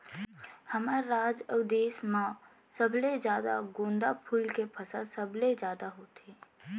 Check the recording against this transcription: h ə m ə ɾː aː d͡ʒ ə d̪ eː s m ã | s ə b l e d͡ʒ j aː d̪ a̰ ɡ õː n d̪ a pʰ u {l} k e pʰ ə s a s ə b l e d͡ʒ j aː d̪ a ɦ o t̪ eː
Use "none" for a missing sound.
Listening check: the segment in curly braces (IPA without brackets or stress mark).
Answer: l